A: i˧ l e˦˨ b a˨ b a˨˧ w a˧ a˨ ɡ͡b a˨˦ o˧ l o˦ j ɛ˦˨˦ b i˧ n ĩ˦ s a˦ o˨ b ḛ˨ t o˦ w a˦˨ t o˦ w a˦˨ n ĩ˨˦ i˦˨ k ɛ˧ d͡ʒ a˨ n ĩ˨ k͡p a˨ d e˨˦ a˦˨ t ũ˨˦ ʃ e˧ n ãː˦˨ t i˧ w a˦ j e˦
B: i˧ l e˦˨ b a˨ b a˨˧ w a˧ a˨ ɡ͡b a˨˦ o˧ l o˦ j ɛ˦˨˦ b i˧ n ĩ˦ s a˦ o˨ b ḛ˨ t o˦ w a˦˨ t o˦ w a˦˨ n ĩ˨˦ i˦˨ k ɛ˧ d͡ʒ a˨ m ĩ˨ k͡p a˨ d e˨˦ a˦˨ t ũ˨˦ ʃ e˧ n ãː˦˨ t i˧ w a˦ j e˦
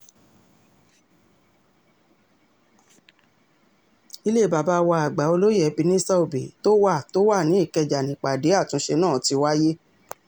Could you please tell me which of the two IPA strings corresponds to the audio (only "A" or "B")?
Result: A